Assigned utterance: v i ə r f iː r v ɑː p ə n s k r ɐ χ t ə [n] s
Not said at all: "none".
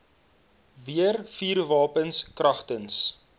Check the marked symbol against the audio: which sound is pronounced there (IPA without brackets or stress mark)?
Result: n